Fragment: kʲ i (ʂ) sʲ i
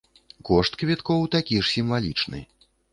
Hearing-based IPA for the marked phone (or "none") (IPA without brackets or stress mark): ʂ